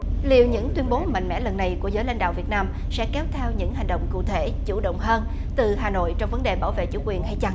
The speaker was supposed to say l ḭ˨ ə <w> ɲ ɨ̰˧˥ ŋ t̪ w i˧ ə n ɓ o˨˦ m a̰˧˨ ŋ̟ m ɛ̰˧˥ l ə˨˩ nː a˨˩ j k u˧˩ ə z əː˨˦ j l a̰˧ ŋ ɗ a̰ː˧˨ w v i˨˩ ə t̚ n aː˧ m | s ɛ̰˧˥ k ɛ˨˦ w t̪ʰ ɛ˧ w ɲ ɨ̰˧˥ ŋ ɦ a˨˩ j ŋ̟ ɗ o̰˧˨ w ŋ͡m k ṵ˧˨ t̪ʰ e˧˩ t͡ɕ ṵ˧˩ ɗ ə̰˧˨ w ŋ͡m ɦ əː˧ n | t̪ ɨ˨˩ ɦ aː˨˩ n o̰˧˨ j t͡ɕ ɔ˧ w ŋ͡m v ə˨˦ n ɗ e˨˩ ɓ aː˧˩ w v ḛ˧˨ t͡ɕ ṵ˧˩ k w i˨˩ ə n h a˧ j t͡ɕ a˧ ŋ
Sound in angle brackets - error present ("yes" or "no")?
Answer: no